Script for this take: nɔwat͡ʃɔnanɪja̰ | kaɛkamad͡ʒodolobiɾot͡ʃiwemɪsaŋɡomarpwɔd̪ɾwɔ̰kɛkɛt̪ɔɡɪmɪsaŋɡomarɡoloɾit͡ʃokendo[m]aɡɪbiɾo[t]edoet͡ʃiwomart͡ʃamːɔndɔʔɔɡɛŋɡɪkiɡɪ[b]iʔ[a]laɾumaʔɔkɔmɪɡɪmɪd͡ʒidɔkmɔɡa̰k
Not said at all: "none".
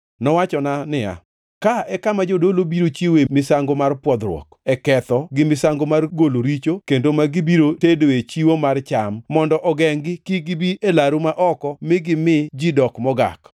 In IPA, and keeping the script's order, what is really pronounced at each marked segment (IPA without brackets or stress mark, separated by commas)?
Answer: m, t, b, e